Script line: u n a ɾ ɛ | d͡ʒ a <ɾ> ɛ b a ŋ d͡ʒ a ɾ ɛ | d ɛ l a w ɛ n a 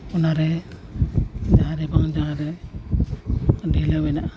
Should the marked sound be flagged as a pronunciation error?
no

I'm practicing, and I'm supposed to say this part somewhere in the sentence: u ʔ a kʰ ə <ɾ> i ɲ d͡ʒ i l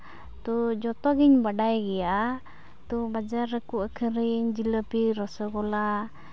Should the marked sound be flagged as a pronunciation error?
no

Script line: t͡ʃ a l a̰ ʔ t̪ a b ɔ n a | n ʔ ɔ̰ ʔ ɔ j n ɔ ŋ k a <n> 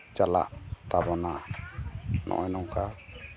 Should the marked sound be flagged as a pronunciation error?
yes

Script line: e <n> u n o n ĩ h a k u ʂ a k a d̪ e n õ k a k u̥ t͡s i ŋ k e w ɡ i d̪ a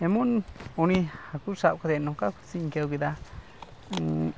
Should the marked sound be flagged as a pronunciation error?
yes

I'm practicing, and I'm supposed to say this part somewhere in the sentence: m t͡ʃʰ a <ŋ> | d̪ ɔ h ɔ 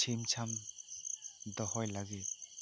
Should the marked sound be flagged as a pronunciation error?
yes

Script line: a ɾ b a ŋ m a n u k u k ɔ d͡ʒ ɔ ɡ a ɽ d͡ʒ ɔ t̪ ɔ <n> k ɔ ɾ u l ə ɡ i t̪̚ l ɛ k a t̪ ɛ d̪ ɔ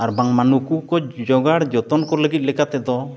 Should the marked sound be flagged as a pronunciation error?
no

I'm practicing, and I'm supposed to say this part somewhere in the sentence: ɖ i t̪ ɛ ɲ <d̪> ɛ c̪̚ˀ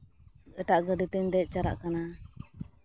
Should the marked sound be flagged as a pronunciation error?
no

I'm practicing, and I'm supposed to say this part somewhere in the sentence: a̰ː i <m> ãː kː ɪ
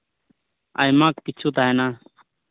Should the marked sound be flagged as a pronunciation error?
no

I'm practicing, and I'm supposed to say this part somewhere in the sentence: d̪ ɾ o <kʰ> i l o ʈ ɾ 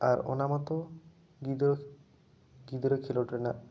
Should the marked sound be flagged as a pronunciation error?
no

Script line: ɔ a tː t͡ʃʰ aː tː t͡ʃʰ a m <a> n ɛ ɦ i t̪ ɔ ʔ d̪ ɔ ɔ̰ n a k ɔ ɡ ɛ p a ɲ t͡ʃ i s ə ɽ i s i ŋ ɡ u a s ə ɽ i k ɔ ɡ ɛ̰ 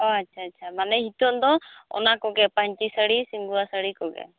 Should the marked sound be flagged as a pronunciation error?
no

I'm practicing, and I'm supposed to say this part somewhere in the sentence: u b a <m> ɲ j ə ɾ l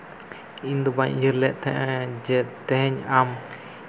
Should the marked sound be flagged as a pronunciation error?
yes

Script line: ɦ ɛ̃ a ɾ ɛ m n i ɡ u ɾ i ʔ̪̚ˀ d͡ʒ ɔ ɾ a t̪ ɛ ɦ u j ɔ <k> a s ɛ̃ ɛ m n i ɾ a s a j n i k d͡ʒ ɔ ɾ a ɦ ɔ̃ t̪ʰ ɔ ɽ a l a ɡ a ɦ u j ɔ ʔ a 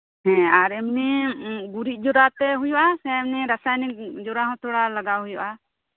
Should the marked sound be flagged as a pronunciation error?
yes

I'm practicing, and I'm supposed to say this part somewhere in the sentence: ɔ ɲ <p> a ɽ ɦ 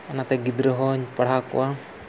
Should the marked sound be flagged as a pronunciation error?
no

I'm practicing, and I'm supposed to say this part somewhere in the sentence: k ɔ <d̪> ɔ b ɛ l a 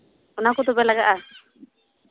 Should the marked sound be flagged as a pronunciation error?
yes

